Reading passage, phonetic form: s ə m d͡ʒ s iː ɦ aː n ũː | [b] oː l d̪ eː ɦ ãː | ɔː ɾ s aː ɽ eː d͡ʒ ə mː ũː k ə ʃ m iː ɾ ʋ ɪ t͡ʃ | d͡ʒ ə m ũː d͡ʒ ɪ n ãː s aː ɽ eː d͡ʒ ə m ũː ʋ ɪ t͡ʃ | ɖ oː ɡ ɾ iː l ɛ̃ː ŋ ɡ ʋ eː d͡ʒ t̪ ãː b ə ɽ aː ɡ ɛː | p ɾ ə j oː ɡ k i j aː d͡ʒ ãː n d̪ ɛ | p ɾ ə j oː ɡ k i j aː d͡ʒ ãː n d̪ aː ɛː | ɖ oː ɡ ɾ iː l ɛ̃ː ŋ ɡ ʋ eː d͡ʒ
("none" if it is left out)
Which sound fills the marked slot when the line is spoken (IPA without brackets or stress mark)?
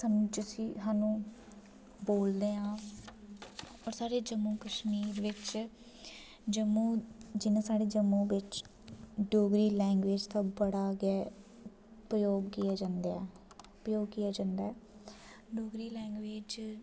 b